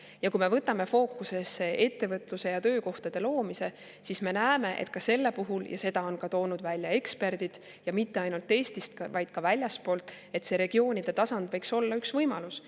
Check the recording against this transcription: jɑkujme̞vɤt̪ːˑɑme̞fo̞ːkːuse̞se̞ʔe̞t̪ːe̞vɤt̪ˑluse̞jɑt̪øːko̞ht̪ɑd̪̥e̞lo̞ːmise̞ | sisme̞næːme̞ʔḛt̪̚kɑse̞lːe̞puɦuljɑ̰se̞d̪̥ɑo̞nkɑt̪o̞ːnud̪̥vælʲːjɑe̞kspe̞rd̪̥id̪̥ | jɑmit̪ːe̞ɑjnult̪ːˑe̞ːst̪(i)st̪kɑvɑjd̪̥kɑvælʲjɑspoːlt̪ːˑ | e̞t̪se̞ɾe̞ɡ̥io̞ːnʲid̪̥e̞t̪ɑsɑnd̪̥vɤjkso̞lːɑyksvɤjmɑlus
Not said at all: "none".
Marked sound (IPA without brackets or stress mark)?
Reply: i